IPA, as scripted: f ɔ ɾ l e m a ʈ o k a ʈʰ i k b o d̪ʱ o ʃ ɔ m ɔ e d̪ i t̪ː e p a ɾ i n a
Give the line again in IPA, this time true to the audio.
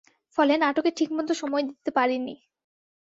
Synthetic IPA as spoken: f ɔ l e n a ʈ o k e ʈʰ i k m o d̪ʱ o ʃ ɔ m ɔ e d̪ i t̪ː e p a ɾ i n i

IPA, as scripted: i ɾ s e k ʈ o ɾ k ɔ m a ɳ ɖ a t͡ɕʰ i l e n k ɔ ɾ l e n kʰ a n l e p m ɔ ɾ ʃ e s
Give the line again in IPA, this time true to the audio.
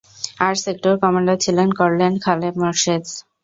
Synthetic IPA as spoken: a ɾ s e k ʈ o ɾ k ɔ m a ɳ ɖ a t͡ɕʰ i l e n k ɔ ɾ l e n kʰ a l e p m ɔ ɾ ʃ e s

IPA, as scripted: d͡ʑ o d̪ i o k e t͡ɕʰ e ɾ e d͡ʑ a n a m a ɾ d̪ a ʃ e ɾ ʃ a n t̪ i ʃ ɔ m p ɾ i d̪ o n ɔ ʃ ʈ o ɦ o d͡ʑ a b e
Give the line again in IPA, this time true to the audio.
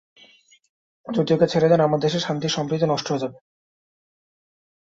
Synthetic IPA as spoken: d͡ʑ o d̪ i o k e t͡ɕʰ e ɾ e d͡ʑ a n a m a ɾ d̪ e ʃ e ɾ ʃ a n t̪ i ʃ ɔ m p ɾ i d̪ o n ɔ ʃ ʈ o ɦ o d͡ʑ a b e

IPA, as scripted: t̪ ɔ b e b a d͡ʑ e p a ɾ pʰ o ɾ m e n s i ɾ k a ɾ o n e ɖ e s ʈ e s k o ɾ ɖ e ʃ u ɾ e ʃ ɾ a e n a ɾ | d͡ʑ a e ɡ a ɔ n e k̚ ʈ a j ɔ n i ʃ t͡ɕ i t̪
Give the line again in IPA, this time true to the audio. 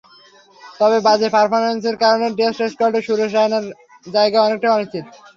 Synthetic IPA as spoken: t̪ ɔ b e b a d͡ʑ e p a ɾ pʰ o ɾ m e n s e ɾ k a ɾ o n e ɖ e s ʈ e s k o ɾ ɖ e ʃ u ɾ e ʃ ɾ a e n a ɾ | d͡ʑ a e ɡ a ɔ n e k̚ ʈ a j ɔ n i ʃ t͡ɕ i t̪

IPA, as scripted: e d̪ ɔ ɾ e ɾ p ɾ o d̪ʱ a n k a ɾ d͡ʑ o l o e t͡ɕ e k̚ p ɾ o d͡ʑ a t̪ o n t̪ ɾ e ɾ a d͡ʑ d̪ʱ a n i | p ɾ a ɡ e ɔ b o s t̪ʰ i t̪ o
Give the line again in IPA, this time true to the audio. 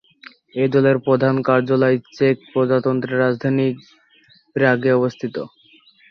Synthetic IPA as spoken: e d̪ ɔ l e ɾ p ɾ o d̪ʱ a n k a ɾ d͡ʑ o l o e t͡ɕ e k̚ p ɾ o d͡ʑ a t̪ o n t̪ ɾ e ɾ a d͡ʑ d̪ʱ a n i | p ɾ a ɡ e ɔ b o s t̪ʰ i t̪ o

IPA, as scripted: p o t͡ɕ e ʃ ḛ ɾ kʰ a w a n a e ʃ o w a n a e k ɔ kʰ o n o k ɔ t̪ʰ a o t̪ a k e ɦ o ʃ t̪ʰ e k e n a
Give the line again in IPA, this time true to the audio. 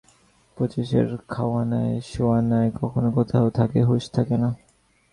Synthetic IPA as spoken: p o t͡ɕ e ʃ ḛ ɾ kʰ a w a n a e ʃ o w a n a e k ɔ kʰ o n o k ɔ t̪ʰ a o t̪ʰ a k e ɦ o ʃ t̪ʰ a k e n a

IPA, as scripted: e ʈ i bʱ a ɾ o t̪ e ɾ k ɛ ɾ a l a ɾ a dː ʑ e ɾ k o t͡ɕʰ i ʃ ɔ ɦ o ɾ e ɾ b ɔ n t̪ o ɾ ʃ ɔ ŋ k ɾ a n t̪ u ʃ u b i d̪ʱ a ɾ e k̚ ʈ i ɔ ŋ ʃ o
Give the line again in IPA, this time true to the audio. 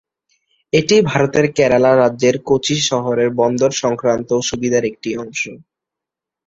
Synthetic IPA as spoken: e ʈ i bʱ a ɾ o t̪ e ɾ k ɛ ɾ a l a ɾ a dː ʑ e ɾ k o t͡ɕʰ i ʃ ɔ ɦ o ɾ e ɾ b ɔ n d̪ o ɾ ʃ ɔ ŋ k ɾ a n t̪ o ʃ u b i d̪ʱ a ɾ e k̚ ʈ i ɔ ŋ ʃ o

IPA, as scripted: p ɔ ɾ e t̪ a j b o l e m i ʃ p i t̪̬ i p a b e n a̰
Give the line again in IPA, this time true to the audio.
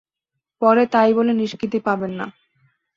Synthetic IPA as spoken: p ɔ ɾ e t̪ a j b o l e n i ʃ k i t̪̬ i p a b e nː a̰

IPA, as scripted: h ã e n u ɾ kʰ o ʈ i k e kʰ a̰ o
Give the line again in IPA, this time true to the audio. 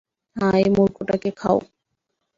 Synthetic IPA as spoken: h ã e m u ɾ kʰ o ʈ a k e kʰ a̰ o

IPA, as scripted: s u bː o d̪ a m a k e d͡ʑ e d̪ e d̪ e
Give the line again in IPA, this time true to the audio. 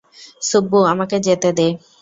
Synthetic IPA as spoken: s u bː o a m a k e d͡ʑ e t̪ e d̪ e

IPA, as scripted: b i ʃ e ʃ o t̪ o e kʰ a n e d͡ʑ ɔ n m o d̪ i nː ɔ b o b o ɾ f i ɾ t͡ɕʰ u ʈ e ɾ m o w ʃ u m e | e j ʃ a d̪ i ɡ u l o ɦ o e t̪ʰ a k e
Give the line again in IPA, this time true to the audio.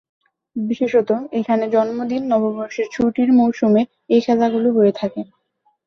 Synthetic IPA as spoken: b i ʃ e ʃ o t̪ o e kʰ a n e d͡ʑ ɔ n m o d̪ i nː ɔ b o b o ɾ ʃ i ɾ t͡ɕʰ u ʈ i ɾ m o w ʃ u m e | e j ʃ a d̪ a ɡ u l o ɦ o e t̪ʰ a k e

